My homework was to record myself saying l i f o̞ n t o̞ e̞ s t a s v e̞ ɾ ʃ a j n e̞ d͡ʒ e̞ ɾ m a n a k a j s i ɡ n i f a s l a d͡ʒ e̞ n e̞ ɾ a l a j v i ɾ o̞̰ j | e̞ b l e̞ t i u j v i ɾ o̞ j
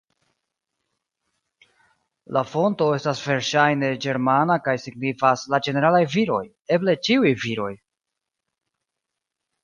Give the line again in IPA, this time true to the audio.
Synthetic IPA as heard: l a f o̞ n t o̞ e̞ s t a s v e̞ ɾ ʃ a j n e̞ d͡ʒ e̞ ɾ m a n a k a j s i ɡ n i f a s l a d͡ʒ e̞ n e̞ ɾ a l a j v i ɾ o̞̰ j | e̞ b l e̞ t͡ʃ i u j v i ɾ o̞ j